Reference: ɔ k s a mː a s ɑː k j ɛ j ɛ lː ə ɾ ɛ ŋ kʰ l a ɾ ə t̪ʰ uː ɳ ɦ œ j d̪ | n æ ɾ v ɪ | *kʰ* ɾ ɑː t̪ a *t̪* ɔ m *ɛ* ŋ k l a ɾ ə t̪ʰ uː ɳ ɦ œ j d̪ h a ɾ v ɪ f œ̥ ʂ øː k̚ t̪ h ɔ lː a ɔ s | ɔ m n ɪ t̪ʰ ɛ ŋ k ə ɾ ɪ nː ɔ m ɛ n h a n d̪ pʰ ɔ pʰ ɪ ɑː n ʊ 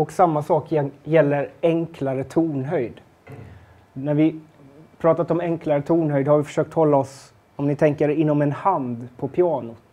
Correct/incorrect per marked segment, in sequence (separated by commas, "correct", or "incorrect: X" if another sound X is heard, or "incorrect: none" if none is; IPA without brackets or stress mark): incorrect: pʰ, correct, correct